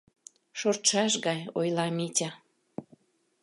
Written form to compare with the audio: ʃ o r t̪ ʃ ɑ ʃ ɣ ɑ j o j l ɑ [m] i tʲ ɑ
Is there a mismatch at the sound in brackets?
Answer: no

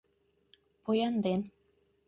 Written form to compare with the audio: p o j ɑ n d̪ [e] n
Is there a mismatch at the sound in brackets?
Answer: no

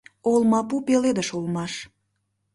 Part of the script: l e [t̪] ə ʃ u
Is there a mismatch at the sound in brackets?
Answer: yes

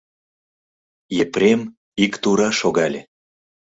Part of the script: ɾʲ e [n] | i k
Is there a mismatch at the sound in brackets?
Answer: yes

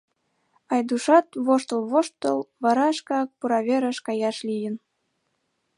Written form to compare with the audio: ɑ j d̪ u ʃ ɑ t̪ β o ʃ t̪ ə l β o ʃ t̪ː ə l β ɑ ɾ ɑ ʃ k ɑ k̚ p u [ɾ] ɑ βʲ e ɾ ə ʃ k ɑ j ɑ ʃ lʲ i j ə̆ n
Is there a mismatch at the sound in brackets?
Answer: no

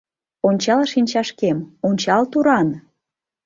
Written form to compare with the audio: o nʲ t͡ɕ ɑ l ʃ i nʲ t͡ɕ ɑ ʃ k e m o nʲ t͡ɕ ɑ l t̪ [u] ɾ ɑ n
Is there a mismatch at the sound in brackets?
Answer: no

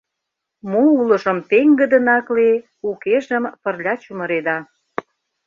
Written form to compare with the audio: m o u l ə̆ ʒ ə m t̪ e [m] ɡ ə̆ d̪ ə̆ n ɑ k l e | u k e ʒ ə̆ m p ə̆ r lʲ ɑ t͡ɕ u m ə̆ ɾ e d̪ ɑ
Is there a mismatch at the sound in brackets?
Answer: yes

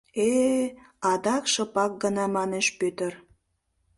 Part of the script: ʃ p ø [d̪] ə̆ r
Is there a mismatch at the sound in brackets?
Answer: yes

